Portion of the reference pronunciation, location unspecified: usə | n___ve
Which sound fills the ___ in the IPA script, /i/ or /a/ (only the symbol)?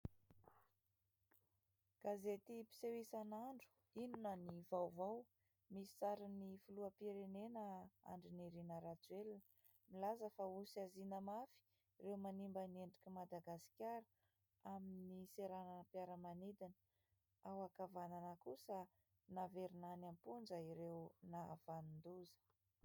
a